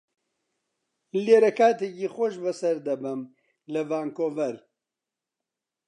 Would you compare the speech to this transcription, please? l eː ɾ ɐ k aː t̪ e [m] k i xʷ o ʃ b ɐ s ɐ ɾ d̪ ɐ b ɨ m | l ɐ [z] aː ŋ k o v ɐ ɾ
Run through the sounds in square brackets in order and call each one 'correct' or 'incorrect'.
incorrect: none, incorrect: v

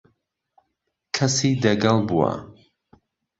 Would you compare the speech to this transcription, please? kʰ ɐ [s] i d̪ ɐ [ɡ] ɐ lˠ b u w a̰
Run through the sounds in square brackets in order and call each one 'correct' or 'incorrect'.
correct, correct

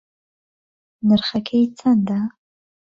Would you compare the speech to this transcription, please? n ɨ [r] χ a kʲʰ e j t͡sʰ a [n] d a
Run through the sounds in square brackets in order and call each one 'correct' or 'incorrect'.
correct, correct

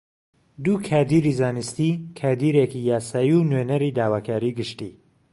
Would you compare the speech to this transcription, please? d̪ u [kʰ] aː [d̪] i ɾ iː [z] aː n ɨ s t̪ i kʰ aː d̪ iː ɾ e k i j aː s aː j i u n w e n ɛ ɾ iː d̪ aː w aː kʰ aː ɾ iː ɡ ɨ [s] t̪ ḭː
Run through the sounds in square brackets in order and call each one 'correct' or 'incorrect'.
correct, correct, correct, incorrect: ʃ

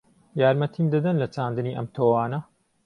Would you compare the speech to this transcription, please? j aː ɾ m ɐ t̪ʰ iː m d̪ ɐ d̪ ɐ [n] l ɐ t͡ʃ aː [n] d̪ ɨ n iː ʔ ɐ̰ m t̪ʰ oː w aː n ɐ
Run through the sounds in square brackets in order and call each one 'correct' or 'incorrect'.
correct, correct

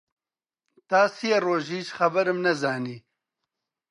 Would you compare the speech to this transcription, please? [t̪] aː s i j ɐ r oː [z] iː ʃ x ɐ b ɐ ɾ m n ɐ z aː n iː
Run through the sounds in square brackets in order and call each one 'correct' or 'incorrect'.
correct, incorrect: ʒ

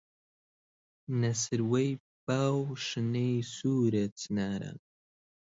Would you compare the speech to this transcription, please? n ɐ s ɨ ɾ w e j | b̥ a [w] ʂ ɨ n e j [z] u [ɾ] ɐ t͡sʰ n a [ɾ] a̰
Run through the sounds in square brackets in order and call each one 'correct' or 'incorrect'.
correct, incorrect: s, correct, correct

